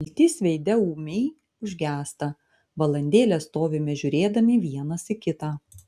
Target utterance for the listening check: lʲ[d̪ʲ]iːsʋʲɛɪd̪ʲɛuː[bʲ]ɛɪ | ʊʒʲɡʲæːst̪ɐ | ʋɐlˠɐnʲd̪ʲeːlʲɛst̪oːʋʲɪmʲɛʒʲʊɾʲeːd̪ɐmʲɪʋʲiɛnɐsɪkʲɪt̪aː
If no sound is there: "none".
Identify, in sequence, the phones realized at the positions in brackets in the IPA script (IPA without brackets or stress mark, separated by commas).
t̪ʲ, mʲ